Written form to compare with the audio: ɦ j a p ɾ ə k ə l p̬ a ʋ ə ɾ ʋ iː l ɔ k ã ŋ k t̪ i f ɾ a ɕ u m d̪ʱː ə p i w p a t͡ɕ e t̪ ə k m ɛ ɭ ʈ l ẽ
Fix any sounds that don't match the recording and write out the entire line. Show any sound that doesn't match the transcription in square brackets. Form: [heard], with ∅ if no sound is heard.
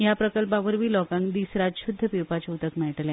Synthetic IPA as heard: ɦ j a p ɾ ə k ə l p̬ a ʋ ə ɾ ʋ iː l ɔ k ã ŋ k [d̪] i [s] ɾ a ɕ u [∅] d̪ʱː ə p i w p a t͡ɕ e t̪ ə k m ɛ ɭ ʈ l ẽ